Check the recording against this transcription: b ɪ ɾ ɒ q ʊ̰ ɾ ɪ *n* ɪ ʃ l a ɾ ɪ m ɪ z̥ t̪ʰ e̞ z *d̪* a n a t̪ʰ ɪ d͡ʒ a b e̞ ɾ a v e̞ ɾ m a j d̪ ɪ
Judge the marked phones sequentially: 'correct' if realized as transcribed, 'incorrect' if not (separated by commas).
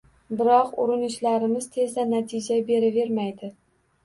correct, correct